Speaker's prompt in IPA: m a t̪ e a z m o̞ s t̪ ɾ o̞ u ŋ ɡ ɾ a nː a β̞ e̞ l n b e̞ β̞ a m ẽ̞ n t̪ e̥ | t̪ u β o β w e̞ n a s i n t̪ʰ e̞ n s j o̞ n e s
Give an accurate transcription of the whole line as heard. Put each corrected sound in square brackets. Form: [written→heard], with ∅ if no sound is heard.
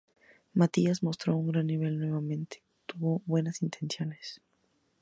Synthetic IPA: m a t̪ [e→i] a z m o̞ s t̪ ɾ o̞ u ŋ ɡ ɾ a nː [a→i] β̞ e̞ l n [b→w] e̞ β̞ a m ẽ̞ n t̪ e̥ | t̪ u β o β w e̞ n a s i n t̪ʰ e̞ n s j o̞ n e s